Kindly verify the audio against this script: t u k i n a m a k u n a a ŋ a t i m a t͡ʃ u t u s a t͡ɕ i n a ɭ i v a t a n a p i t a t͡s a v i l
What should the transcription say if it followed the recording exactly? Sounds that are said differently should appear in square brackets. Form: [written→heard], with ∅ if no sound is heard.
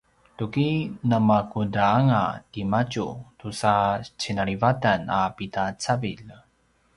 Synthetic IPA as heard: t u k i n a m a k u [n→d] a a ŋ a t i m a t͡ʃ u t u s a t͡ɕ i n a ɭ i v a t a n a p i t a t͡s a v i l